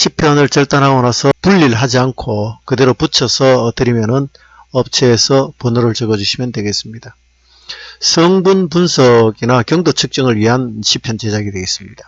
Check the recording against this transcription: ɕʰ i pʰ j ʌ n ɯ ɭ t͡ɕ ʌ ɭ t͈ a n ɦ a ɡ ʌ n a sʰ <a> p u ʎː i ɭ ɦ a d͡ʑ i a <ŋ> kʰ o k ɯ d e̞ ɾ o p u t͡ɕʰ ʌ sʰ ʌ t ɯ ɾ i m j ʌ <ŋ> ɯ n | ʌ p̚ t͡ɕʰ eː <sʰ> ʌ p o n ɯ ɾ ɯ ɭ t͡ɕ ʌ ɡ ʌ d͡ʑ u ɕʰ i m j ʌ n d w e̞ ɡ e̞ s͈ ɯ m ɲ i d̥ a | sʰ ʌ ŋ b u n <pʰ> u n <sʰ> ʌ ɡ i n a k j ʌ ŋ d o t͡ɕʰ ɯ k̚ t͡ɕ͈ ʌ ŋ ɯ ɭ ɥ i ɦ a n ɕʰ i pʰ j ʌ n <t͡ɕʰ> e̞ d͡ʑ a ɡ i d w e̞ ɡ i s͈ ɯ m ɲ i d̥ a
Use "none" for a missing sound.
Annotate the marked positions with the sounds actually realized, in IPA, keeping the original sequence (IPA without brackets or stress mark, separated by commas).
ʌ, n, n, sʰ, p, sʰ, t͡ɕ